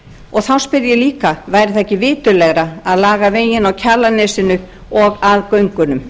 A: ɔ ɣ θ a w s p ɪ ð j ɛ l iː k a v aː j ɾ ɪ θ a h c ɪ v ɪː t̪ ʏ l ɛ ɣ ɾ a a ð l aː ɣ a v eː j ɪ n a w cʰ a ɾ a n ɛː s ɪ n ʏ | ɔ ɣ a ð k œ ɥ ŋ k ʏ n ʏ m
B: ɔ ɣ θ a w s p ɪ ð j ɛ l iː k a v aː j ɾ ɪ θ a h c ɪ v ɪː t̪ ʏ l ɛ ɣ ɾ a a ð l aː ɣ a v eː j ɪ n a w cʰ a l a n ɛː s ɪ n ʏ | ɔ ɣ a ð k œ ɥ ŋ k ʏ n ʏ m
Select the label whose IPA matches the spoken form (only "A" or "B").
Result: B